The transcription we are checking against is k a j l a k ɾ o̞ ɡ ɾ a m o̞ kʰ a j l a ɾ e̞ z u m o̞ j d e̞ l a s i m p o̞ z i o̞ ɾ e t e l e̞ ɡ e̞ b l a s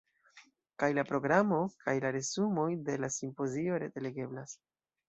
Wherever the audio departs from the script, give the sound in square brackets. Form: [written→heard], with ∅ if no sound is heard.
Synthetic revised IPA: k a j l a [k→p] ɾ o̞ ɡ ɾ a m o̞ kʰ a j l a ɾ e̞ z u m o̞ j d e̞ l a s i m p o̞ z i o̞ ɾ e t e l e̞ ɡ e̞ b l a s